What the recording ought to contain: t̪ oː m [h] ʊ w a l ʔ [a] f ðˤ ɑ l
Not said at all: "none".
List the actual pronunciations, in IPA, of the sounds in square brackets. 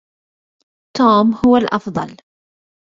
h, ɑ

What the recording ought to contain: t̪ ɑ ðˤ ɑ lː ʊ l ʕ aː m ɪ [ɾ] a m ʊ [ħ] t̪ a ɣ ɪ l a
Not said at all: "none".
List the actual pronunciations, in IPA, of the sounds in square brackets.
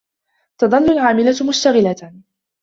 l, ʃ

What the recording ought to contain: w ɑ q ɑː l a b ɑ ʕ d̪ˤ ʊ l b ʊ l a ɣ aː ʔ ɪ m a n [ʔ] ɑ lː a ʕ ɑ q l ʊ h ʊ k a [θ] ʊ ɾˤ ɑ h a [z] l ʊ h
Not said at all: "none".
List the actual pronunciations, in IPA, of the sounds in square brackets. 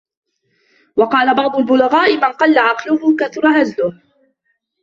q, θ, z

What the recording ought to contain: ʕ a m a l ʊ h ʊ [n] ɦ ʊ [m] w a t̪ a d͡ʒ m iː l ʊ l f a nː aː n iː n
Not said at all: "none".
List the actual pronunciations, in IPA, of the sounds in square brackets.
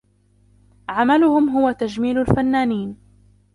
m, none

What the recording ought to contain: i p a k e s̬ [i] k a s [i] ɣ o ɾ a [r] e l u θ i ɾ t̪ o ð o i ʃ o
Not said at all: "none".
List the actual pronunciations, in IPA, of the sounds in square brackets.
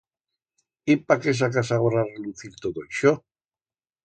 a, a, r

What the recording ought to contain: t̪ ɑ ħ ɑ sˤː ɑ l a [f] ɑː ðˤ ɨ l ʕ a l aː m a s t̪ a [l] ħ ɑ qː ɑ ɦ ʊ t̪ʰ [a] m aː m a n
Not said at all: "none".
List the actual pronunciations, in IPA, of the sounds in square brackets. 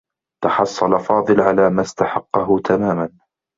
f, none, a

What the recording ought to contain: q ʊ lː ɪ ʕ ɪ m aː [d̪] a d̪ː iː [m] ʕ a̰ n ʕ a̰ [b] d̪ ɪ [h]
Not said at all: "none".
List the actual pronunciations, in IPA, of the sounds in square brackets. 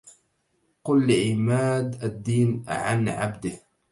d̪, n, b, h

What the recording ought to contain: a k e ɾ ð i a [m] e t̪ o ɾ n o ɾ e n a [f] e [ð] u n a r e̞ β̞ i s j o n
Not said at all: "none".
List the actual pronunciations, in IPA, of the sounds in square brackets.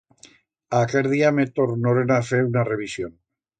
m, f, none

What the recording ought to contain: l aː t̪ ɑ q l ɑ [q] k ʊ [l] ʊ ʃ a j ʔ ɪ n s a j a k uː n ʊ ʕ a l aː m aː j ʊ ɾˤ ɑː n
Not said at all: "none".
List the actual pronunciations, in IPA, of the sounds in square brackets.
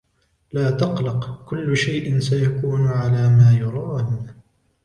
q, lː

